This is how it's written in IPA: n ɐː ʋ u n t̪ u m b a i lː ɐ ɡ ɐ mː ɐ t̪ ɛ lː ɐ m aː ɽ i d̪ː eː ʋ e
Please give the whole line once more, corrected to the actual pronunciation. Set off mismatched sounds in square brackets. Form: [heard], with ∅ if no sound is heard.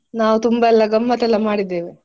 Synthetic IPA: n [aː] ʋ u [∅] t̪ u m b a [ɛ] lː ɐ ɡ ɐ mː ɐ t̪ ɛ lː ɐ m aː ɽ i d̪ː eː ʋ e